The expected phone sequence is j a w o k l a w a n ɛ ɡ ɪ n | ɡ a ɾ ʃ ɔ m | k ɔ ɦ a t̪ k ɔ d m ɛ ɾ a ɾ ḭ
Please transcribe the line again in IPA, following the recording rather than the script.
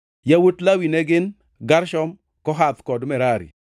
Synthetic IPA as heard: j a w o t l a w i n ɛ ɡ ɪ n | ɡ a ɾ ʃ ɔ m | k ɔ ɦ a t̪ k ɔ d m ɛ ɾ a ɾ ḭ